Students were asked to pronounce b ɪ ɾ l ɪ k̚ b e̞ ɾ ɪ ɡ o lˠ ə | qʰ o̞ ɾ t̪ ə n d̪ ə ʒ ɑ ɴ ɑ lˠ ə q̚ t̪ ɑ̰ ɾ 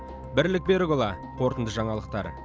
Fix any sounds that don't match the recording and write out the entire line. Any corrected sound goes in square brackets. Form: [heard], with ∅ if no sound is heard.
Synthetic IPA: b ɪ ɾ l ɪ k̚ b e̞ ɾ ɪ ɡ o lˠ [ɑ] | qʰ o̞ ɾ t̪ ə n d̪ ə ʒ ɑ ɴ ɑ lˠ ə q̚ t̪ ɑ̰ ɾ